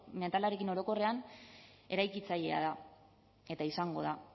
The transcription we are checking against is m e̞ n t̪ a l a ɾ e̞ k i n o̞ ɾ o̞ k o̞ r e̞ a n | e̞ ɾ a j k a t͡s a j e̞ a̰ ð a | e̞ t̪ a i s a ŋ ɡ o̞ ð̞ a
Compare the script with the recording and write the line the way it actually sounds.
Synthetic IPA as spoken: m e̞ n t̪ a l a ɾ e̞ k i n o̞ ɾ o̞ k o̞ r e̞ a n | e̞ ɾ a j k i t͡s a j e̞ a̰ ð a | e̞ t̪ a i s a ŋ ɡ o̞ ð̞ a